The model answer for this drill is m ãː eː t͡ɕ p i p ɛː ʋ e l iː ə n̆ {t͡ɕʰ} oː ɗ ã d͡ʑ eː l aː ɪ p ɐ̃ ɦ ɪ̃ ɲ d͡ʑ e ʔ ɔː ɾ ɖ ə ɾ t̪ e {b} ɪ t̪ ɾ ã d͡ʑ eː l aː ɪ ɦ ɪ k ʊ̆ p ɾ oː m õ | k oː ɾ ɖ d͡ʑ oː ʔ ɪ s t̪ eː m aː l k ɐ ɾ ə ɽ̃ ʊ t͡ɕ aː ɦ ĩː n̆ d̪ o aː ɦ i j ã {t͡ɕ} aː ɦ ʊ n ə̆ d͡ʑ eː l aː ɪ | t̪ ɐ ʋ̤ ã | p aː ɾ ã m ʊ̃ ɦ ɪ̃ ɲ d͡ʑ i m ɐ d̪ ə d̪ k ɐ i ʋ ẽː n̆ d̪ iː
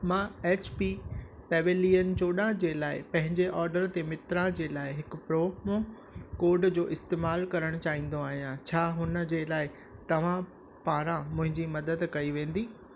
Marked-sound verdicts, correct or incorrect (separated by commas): incorrect, incorrect, incorrect